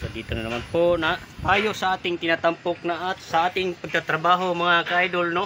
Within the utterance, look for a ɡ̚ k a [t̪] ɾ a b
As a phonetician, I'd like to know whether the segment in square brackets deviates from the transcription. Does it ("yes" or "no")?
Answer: no